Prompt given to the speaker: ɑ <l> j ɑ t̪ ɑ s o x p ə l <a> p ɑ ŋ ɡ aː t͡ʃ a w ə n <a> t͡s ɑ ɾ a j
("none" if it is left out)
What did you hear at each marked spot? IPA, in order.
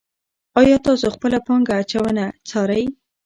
none, a, a

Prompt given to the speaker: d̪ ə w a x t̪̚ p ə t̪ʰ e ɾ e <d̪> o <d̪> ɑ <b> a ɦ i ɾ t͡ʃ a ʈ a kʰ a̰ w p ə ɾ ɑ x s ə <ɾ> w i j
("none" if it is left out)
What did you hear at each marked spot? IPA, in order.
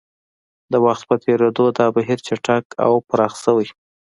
d̪, d̪, b, none

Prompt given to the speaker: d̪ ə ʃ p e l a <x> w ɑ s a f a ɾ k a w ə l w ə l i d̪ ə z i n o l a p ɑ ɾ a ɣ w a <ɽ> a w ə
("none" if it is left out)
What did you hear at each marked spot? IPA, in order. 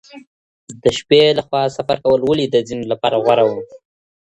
x, ɾ

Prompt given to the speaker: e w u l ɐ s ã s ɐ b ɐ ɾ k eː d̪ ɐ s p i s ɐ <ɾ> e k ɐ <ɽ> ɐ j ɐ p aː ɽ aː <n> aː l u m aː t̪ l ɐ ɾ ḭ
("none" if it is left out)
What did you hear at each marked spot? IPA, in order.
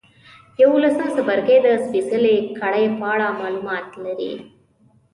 l, ɽ, m

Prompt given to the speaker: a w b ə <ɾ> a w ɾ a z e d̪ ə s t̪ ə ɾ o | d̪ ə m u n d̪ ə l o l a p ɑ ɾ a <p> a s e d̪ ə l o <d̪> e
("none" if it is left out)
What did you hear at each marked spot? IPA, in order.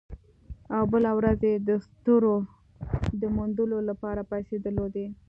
l, p, d̪

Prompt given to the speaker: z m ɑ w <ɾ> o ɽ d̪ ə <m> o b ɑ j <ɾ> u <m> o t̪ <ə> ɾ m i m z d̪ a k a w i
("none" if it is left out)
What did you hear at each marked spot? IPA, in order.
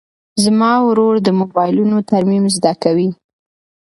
ɾ, m, l, n, a

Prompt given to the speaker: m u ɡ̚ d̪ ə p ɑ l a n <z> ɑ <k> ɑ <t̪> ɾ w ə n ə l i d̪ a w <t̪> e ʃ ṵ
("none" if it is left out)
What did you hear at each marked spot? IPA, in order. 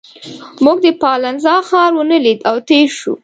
z, x, none, t̪

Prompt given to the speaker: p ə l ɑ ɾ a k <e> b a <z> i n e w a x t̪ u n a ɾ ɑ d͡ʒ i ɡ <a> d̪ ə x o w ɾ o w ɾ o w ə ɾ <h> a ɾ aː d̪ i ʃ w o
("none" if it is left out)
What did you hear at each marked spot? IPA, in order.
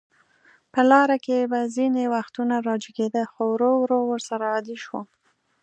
e, z, e, s

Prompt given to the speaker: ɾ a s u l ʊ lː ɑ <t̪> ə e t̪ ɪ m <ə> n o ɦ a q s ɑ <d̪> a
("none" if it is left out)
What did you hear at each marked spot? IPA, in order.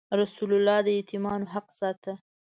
d̪, ɑ, t̪

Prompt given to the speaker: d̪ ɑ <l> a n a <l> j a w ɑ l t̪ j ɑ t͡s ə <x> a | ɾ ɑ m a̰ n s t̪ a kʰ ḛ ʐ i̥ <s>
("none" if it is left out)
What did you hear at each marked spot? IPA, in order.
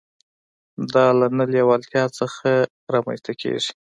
l, l, x, none

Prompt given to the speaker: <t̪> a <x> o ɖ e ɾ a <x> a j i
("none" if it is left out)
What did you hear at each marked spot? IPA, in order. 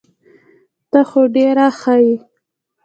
t̪, x, x

